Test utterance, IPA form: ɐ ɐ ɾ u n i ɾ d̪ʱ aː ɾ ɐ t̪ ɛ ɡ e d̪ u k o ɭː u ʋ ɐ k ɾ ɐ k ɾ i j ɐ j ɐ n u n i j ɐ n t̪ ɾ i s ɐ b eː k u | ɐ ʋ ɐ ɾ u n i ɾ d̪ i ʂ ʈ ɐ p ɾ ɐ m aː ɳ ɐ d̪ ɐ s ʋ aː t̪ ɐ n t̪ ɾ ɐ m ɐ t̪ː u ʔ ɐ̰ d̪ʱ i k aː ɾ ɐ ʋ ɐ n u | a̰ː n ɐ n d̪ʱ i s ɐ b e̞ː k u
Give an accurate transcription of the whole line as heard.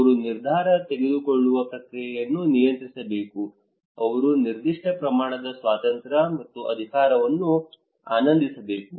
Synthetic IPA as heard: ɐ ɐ ɾ u n i ɾ d̪ʱ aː ɾ ɐ t̪ e ɡ e d̪ u k o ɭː u ʋ ɐ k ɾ ɐ k ɾ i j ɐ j ɐ nː u n i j ɐ n t̪ ɾ i s ɐ b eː k u | ɐ ʋ ɐ ɾ u n i ɾ d̪ i ʂ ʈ ɐ p ɾ ɐ m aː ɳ ɐ d̪ ɐ s ʋ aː t̪ ɐ n t̪ ɾ ɐ m ɐ t̪ː u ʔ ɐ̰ d̪ʱ i k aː ɾ ɐ ʋ ɐ nː u | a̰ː n ɐ n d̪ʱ i s ɐ b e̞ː k u